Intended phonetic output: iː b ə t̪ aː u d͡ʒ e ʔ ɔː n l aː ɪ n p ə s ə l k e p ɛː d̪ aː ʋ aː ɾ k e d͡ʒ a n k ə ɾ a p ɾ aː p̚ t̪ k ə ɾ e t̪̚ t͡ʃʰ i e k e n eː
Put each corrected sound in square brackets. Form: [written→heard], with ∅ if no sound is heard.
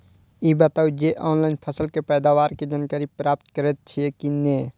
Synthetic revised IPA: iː b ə t̪ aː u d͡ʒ e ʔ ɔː n l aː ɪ n [p→pʰ] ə s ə l k e p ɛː d̪ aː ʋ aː ɾ k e d͡ʒ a n k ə ɾ [a→i] p ɾ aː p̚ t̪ k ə ɾ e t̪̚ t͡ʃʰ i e k [e→i] n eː